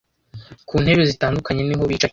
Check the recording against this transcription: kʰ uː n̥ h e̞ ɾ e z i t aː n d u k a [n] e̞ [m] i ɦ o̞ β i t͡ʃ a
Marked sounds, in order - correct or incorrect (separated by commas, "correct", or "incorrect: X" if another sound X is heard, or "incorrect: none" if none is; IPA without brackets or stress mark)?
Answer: incorrect: ɲ, incorrect: n